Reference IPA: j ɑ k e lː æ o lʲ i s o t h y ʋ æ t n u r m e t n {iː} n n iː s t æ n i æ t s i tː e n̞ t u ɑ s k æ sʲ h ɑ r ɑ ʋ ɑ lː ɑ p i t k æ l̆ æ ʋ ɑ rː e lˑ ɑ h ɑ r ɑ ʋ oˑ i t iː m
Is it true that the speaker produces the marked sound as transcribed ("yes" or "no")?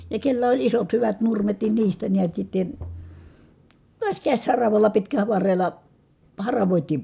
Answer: no